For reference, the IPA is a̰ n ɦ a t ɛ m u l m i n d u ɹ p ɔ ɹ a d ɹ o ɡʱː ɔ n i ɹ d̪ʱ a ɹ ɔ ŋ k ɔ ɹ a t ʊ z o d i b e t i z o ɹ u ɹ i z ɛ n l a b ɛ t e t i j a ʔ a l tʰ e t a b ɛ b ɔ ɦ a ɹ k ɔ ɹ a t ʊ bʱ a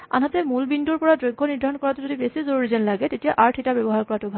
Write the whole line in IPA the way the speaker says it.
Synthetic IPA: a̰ n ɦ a t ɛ m u l b i n d u ɹ p ɔ ɹ a d ɹ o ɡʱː ɔ n i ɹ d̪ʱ a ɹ ɔ n k ɔ ɹ a t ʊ z o d i b e s i z o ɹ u ɹ i z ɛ n l a ɡ ɛ t e t i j a ʔ a ɹ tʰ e t a b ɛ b ɔ ɦ a ɹ k ɔ ɹ a t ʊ bʱ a